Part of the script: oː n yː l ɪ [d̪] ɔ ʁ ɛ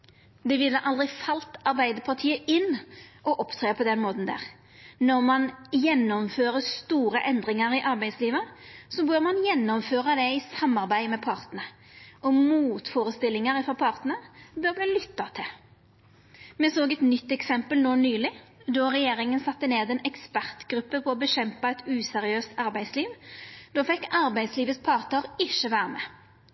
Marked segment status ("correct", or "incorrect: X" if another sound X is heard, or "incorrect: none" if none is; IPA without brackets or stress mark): correct